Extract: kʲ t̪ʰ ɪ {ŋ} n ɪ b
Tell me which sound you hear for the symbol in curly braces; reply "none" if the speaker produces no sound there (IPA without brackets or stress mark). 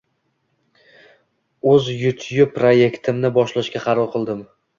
m